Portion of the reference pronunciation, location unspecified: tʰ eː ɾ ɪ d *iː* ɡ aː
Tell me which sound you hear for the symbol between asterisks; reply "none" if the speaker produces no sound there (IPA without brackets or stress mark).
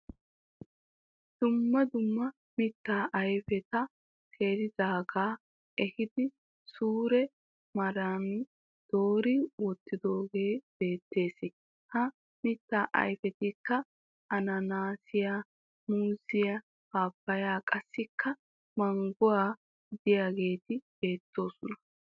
aː